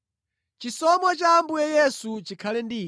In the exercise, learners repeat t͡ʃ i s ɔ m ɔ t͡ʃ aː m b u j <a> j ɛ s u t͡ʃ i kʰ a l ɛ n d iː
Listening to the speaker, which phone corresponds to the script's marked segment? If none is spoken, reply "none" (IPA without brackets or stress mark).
ɛ